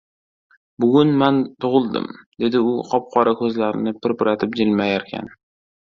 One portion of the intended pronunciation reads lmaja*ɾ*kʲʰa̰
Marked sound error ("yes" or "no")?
no